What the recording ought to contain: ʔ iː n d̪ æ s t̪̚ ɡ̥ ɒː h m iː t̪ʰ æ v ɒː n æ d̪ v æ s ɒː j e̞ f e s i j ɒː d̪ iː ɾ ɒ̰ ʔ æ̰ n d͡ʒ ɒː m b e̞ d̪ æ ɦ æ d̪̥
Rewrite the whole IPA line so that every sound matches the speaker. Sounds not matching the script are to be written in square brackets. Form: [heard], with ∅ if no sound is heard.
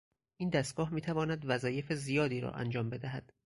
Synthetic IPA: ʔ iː n d̪ æ s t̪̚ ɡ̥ ɒː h m iː t̪ʰ æ v ɒː n æ d̪ v æ [z] ɒː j e̞ f e [z] i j ɒː d̪ iː ɾ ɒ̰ ʔ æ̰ n d͡ʒ ɒː m b e̞ d̪ æ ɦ æ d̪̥